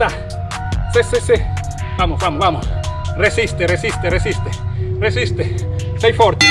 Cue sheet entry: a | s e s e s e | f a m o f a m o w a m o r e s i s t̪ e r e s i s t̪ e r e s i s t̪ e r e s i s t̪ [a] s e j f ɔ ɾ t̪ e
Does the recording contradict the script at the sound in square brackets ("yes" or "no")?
yes